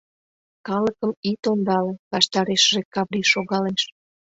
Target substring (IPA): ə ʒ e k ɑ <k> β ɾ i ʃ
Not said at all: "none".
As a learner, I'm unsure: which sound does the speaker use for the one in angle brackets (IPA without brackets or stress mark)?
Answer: none